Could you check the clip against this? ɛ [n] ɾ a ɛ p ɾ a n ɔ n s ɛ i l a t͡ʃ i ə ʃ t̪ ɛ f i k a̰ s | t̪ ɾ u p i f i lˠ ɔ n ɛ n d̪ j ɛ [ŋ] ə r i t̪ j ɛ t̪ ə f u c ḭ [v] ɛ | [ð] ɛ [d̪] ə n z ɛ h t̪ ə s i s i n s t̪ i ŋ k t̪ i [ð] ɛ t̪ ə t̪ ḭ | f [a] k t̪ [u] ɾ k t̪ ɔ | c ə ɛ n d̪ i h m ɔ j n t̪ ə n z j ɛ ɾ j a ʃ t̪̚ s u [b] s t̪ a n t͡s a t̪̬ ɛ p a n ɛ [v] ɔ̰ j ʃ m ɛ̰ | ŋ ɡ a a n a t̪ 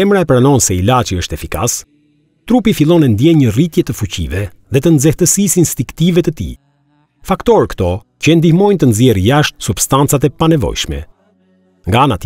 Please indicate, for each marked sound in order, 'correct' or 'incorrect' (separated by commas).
incorrect, incorrect, correct, correct, incorrect, incorrect, correct, incorrect, correct, correct